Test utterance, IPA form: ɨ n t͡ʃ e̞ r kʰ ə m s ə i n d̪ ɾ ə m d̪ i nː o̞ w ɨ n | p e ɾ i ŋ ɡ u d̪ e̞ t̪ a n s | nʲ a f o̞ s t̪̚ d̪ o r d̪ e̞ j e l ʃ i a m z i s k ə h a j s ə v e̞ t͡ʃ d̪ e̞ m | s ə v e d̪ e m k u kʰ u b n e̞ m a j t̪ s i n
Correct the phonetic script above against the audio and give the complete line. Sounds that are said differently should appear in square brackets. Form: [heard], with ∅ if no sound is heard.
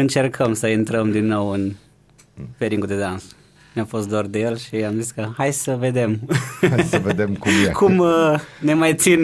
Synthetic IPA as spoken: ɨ n t͡ʃ e̞ r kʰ ə m s ə i n [t̪] ɾ ə m d̪ i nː o̞ w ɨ n | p e ɾ i ŋ ɡ u d̪ e̞ [d̪] a n s | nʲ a f o̞ s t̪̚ d̪ o r d̪ e̞ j e l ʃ i a m z i s k ə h a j s ə v e̞ [∅] d̪ e̞ m | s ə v e d̪ e m k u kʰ u [m] n e̞ m a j t̪ s i n